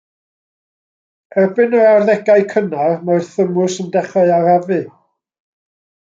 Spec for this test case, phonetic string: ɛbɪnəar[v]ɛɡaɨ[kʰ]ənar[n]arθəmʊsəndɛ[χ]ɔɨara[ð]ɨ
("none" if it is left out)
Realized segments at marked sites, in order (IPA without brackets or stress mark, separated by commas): ð, kʰ, m, χ, v